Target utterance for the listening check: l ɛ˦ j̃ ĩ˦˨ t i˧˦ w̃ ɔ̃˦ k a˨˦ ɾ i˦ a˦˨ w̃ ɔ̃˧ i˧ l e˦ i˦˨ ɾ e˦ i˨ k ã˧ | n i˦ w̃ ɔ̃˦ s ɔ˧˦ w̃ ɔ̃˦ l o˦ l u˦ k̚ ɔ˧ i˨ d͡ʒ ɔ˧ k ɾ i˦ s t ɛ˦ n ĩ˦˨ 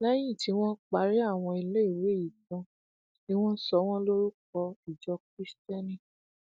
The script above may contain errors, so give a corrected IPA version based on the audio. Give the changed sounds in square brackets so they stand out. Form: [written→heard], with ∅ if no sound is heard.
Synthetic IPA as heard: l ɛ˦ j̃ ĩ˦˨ t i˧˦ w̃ ɔ̃˦ [k→k͡p] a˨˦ ɾ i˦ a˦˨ w̃ ɔ̃˧ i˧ l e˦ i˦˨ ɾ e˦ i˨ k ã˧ | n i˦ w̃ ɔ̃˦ s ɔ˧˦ w̃ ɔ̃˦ l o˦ [l→ɾ] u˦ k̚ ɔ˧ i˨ d͡ʒ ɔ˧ k ɾ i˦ s t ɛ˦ n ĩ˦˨